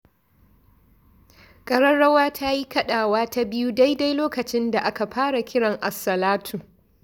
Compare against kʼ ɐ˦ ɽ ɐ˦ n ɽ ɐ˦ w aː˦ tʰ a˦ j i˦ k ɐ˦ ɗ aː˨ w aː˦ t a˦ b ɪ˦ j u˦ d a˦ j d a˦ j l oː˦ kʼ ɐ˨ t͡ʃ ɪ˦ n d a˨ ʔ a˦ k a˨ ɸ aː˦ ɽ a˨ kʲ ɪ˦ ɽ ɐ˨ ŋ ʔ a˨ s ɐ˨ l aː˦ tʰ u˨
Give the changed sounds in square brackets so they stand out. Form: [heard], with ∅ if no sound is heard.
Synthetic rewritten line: kʼ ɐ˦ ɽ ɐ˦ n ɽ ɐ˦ w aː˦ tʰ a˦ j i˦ k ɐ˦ ɗ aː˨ w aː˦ t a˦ b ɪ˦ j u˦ d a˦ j d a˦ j l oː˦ [k] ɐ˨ t͡ʃ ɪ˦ n d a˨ ʔ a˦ k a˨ ɸ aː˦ ɽ a˨ kʲ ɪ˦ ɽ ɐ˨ ŋ ʔ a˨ s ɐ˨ l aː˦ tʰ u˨